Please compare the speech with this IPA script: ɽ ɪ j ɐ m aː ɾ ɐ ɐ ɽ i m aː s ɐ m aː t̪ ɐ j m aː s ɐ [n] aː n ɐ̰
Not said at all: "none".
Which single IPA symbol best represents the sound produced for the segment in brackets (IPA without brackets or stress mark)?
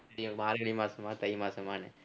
m